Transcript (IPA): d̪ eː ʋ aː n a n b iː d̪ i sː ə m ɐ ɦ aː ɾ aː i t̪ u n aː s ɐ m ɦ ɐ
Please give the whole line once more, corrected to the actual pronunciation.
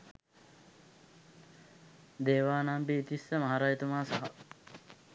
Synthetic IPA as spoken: d̪ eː ʋ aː n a m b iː t̪ i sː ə m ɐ ɦ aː ɾ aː j t̪ u m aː s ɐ ɦ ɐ